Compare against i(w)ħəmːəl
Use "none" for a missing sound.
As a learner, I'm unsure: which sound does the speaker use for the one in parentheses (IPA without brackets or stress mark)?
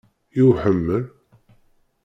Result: w